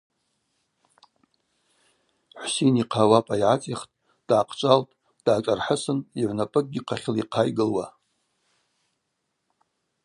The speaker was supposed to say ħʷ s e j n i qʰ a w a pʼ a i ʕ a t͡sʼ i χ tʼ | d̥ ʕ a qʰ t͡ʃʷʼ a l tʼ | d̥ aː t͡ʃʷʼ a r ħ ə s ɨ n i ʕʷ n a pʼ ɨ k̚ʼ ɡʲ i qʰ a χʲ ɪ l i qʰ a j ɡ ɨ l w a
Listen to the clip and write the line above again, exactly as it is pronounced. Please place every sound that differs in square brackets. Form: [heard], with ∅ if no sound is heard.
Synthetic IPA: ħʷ s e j n i qʰ a w a pʼ a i ʕ a t͡sʼ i χ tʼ | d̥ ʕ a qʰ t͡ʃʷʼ a l tʼ | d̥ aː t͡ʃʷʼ a r ħ ə s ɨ n i ʕʷ n a pʼ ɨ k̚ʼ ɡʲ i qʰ a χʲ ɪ l i qʰ a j ɡ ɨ l w a